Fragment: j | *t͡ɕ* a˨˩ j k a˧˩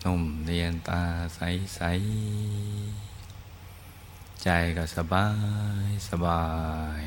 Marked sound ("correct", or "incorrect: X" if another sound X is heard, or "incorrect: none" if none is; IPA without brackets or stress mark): correct